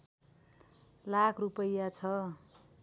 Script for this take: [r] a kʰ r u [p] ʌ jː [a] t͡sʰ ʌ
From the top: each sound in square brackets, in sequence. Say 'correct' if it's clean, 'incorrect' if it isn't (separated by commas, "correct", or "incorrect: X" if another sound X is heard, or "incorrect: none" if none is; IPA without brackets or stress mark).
incorrect: l, correct, correct